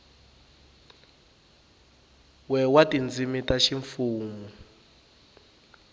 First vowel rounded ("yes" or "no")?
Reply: no